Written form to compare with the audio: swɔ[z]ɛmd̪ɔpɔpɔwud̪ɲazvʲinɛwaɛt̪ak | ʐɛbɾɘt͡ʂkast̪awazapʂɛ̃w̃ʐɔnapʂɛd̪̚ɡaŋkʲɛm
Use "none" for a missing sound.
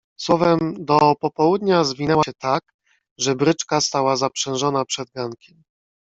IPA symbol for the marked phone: v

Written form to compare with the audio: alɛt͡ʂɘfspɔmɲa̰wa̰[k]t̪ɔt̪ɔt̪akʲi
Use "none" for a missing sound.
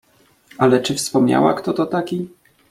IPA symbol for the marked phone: k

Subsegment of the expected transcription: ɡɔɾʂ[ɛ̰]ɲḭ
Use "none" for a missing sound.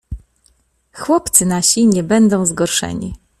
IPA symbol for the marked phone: ɛ̰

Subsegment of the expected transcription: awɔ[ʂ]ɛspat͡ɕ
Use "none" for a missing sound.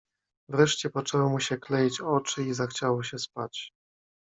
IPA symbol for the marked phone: ɕ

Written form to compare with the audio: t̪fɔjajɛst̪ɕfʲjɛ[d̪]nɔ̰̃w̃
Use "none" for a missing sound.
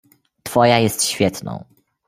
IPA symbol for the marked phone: t̪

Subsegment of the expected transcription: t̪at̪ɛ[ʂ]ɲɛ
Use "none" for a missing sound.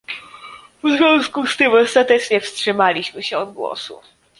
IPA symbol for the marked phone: t͡ʂ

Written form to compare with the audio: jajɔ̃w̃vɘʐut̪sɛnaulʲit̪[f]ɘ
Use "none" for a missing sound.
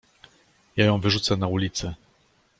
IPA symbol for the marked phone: s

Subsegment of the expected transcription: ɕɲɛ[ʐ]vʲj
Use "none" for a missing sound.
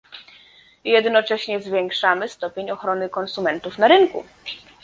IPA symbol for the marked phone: z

